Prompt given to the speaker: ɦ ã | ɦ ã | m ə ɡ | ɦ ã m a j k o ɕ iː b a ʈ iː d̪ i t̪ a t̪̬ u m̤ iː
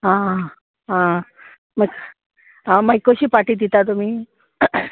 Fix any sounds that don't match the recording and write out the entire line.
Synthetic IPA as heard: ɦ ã | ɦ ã | m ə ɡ | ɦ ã m a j k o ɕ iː p a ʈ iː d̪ i t̪ a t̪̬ u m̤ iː